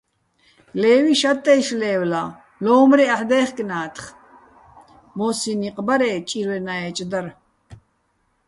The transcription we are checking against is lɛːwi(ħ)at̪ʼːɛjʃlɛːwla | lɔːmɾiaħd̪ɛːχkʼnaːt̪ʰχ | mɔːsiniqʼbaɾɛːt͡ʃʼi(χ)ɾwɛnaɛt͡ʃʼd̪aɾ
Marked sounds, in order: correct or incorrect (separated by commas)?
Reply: incorrect, incorrect